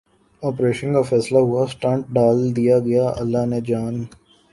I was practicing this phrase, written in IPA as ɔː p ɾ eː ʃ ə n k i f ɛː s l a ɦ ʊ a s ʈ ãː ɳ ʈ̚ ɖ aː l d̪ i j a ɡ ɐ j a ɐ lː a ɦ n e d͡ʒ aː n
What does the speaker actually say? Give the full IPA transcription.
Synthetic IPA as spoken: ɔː p ɾ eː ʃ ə n k a f ɛː s l a ɦ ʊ a s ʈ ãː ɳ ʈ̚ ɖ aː l d̪ i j a ɡ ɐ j a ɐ lː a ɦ n e d͡ʒ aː n